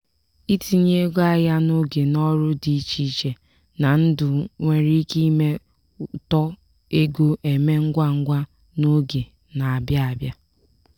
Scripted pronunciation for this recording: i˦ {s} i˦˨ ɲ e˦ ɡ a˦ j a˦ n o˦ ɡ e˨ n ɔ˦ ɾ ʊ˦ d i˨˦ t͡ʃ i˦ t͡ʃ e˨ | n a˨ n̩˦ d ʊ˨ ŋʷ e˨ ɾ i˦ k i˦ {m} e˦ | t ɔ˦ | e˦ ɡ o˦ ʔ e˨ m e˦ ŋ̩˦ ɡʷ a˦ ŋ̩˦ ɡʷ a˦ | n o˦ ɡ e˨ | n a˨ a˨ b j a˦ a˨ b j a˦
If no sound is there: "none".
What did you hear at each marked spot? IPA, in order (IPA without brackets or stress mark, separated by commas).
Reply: t, m